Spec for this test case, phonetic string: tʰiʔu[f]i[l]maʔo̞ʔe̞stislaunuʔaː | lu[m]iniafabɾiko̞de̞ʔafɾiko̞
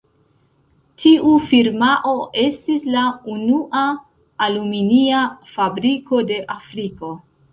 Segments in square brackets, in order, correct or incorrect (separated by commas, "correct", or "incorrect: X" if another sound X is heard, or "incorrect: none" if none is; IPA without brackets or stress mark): correct, incorrect: ɾ, correct